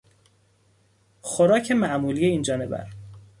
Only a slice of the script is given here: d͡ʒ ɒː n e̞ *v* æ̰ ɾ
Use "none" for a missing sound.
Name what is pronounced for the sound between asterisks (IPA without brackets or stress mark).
b